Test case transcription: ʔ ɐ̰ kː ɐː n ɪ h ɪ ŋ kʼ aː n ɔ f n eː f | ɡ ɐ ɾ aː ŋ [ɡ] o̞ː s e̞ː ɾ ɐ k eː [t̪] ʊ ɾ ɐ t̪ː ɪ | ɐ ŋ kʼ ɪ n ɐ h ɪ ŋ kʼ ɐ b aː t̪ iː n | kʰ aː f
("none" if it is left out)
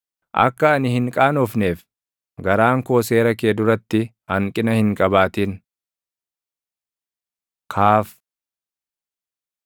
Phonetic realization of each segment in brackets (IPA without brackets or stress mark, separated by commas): k, d̪